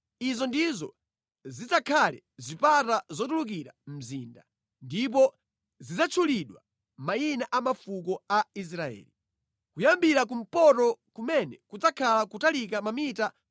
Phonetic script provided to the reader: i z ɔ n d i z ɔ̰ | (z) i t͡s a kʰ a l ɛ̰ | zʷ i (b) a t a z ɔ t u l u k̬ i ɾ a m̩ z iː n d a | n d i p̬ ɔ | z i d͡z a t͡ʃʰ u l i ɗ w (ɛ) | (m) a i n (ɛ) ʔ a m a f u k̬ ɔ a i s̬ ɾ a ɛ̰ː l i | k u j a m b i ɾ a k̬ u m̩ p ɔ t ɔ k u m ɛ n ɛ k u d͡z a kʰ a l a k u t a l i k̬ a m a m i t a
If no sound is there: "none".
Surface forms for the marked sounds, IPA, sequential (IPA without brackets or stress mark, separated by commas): z, p, a, m, a